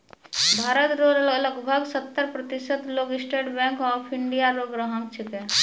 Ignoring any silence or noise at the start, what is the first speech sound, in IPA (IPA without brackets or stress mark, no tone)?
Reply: bʱ